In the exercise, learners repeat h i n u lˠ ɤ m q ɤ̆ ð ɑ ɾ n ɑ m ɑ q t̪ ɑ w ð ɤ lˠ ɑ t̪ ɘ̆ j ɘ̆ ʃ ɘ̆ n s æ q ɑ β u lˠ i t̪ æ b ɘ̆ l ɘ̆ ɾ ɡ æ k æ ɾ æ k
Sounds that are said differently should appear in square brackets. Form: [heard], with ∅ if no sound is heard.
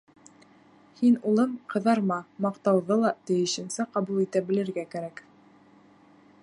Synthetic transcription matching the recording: h i n u lˠ ɤ m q ɤ̆ ð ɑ ɾ [m] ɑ m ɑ q t̪ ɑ w ð ɤ lˠ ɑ t̪ ɘ̆ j ɘ̆ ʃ ɘ̆ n s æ q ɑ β u lˠ i t̪ æ b ɘ̆ l ɘ̆ ɾ ɡ æ k æ ɾ æ k